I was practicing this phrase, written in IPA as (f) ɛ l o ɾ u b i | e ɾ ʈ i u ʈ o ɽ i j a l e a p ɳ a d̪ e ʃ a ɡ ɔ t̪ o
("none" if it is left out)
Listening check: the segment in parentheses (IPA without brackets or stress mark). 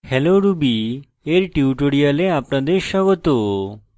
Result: h